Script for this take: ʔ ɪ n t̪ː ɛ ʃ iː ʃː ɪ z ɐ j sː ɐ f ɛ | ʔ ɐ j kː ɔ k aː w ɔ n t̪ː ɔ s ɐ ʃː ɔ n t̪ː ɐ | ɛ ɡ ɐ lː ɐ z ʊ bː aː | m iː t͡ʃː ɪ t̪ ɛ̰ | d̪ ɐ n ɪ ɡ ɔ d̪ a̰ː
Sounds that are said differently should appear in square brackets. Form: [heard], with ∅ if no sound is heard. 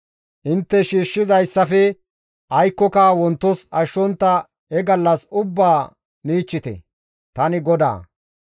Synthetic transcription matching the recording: ʔ ɪ n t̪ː ɛ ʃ iː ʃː ɪ z ɐ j sː ɐ f ɛ | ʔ ɐ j kː ɔ k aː w ɔ n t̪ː ɔ s ɐ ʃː ɔ n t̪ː ɐ | ɛ ɡ ɐ lː ɐ [s] ʊ bː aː | m iː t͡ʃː ɪ t̪ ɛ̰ | [t̪] ɐ n ɪ ɡ ɔ d̪ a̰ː